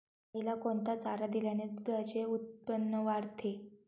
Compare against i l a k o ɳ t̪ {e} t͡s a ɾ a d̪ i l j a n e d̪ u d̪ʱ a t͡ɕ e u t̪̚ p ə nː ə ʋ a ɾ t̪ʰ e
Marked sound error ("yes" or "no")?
yes